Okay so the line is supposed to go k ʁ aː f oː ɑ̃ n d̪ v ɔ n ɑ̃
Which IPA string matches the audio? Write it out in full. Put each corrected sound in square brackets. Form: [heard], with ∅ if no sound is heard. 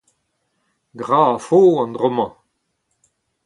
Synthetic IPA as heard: [ɡ] ʁ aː f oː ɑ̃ n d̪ [ʁ] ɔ [m] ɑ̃